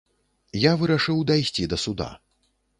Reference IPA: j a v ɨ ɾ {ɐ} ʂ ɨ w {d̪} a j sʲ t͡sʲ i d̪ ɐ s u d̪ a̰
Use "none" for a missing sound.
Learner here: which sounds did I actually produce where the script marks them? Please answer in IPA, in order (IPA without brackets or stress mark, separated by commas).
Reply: a, d̪